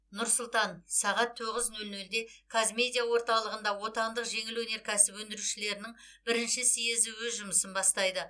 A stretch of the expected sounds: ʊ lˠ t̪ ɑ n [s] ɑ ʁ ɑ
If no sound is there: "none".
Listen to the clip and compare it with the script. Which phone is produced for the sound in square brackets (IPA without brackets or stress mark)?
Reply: s